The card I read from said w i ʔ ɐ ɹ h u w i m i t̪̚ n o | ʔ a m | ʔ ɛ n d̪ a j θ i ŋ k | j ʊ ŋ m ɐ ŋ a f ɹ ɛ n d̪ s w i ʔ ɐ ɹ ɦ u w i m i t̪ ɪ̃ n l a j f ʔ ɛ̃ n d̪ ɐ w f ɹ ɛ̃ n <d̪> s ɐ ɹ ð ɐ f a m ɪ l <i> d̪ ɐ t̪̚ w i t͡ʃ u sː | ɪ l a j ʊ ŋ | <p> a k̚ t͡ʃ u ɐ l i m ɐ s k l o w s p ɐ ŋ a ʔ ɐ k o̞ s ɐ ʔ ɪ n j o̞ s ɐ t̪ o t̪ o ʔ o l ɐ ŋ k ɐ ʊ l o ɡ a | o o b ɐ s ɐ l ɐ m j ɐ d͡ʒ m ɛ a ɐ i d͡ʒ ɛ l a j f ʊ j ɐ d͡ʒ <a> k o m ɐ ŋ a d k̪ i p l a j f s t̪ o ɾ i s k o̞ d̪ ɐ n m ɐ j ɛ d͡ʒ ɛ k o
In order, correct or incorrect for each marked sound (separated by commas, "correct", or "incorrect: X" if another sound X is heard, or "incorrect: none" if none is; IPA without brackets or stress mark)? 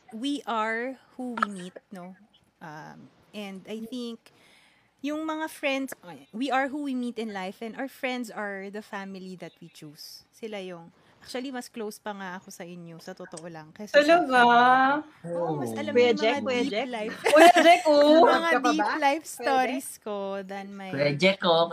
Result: correct, correct, incorrect: ʔ, incorrect: ɛ